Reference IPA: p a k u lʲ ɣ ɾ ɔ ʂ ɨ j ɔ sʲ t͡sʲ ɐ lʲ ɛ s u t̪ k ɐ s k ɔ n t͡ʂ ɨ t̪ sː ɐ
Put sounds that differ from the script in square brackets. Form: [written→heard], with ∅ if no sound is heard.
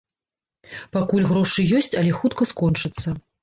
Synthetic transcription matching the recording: p a k u lʲ ɣ ɾ ɔ ʂ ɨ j ɔ sʲ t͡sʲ ɐ lʲ ɛ [s→x] u t̪ k ɐ s k ɔ n t͡ʂ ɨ t̪ sː ɐ

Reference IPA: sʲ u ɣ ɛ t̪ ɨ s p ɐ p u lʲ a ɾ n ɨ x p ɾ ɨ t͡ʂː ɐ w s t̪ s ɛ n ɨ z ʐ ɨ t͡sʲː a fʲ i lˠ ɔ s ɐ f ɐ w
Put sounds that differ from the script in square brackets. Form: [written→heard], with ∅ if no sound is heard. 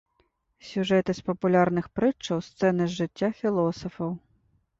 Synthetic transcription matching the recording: sʲ u [ɣ→ʐ] ɛ t̪ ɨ s p ɐ p u lʲ a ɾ n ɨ x p ɾ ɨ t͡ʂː ɐ w s t̪ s ɛ n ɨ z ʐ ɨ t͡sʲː a fʲ i lˠ ɔ s ɐ f ɐ w

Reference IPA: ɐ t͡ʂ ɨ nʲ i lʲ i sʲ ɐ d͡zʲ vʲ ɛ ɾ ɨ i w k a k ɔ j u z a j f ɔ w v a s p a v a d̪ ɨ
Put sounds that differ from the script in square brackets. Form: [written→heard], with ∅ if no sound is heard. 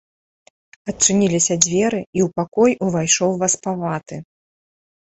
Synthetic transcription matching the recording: ɐ t͡ʂ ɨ nʲ i lʲ i sʲ ɐ d͡zʲ vʲ ɛ ɾ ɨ i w [k→p] a k ɔ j u [z→v] a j [f→ʂ] ɔ w v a s p a v a [d̪→t̪] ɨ

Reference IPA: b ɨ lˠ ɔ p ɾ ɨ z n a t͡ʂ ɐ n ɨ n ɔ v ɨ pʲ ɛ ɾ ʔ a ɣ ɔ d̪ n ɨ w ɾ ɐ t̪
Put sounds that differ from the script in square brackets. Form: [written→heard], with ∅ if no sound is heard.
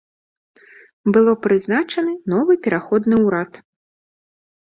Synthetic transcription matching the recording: b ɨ lˠ ɔ p ɾ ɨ z n a t͡ʂ ɐ n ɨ n ɔ v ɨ pʲ ɛ ɾ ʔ a [ɣ→x] ɔ d̪ n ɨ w ɾ [ɐ→a] t̪

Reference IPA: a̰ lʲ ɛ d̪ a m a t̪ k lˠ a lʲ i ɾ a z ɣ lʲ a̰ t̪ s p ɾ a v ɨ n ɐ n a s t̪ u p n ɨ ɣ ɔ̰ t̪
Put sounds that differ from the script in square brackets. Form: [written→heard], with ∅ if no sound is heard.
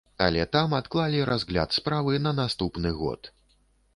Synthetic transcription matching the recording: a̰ lʲ ɛ [d̪→t̪] a m a t̪ k lˠ a lʲ i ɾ a z ɣ lʲ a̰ t̪ s p ɾ a v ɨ n ɐ n a s t̪ u p n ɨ ɣ ɔ̰ t̪

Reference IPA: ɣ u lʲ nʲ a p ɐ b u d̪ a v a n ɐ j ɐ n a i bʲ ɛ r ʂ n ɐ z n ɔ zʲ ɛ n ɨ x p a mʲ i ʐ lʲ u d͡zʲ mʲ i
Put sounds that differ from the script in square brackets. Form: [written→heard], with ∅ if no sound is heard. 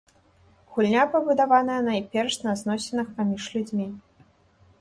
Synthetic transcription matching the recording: ɣ u lʲ nʲ a p ɐ b u d̪ a v a n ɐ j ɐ n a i [bʲ→pʲ] ɛ r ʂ n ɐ z n ɔ [zʲ→sʲ] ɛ n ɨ x p a mʲ i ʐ lʲ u d͡zʲ mʲ i

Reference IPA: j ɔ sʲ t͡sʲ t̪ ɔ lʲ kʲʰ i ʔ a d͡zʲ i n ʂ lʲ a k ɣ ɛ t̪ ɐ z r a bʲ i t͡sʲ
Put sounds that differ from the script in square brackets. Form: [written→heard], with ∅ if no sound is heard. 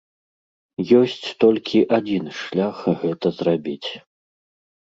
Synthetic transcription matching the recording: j ɔ sʲ t͡sʲ t̪ ɔ lʲ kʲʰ i ʔ a d͡zʲ i n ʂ lʲ a [k→x] ɣ ɛ t̪ ɐ z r a bʲ i t͡sʲ

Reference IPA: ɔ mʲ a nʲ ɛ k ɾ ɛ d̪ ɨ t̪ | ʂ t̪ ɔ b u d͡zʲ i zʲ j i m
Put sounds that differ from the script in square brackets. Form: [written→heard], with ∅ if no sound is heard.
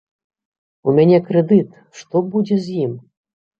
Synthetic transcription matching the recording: [ɔ→u] mʲ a nʲ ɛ k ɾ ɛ d̪ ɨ t̪ | ʂ t̪ ɔ b u d͡zʲ [i→ɛ] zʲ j i m

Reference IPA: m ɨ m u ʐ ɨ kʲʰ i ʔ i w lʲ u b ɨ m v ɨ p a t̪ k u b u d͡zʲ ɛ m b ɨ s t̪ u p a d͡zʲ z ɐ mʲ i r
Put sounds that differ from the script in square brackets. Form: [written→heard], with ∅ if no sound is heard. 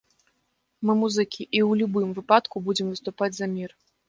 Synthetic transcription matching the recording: m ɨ m u [ʐ→z] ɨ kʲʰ i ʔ i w lʲ u b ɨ m v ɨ p a t̪ k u b u d͡zʲ ɛ m [b→v] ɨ s t̪ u p a d͡zʲ z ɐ mʲ i r

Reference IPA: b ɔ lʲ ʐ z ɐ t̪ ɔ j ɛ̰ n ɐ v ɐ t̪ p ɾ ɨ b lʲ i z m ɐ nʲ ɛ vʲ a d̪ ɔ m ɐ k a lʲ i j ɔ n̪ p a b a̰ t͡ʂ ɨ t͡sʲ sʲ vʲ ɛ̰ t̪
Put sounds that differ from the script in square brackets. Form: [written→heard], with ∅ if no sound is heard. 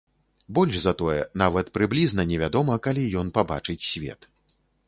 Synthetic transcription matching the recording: b ɔ lʲ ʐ z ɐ t̪ ɔ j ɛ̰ n [ɐ→a] v ɐ t̪ p ɾ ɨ b lʲ i z [m→n] ɐ nʲ ɛ vʲ a d̪ ɔ m ɐ k a lʲ i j ɔ n̪ p a b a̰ t͡ʂ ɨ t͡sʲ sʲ vʲ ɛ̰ t̪

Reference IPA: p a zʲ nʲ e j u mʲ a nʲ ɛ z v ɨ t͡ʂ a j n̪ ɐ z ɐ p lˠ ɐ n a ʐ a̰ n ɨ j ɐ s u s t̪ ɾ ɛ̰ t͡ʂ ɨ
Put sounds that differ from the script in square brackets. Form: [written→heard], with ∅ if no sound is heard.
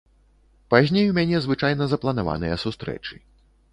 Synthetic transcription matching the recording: p a zʲ nʲ e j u mʲ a nʲ ɛ z v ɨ t͡ʂ a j n̪ ɐ z ɐ p lˠ ɐ n a [ʐ→v] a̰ n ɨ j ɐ s u s t̪ ɾ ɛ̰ t͡ʂ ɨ

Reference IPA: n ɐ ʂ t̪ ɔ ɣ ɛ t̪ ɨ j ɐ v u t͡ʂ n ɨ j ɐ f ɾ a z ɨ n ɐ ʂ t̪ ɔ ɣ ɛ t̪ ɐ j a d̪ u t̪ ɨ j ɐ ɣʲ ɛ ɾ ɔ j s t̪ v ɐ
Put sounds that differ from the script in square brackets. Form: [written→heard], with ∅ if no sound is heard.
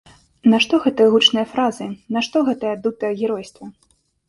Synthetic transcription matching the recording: n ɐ ʂ t̪ ɔ ɣ ɛ t̪ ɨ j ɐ [v→ɣ] u t͡ʂ n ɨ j ɐ f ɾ a z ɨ n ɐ ʂ t̪ ɔ ɣ ɛ t̪ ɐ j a d̪ u t̪ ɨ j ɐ ɣʲ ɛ ɾ ɔ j s t̪ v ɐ

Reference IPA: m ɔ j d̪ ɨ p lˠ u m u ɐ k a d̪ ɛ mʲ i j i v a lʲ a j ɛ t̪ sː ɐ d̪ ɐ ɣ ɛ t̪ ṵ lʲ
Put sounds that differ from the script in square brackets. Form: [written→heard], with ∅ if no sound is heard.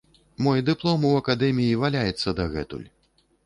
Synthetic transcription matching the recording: m ɔ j d̪ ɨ p lˠ [u→ɔ] m u ɐ k a d̪ ɛ mʲ i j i v a lʲ a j ɛ t̪ sː ɐ d̪ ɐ ɣ ɛ t̪ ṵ lʲ

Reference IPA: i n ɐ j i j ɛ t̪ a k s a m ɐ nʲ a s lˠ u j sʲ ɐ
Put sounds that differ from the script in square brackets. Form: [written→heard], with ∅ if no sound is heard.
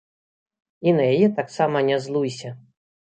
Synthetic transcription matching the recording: i n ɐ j [i→a] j ɛ t̪ a k s a m ɐ nʲ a [s→z] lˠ u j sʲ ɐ

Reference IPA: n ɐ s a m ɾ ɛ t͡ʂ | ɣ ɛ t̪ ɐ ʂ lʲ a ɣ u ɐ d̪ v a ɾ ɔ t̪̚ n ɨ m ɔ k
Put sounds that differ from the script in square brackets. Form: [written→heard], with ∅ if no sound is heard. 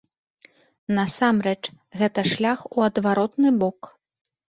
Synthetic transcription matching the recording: n ɐ s a m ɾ ɛ t͡ʂ | ɣ ɛ t̪ ɐ ʂ lʲ a [ɣ→x] u ɐ d̪ v a ɾ ɔ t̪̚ n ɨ [m→b] ɔ k

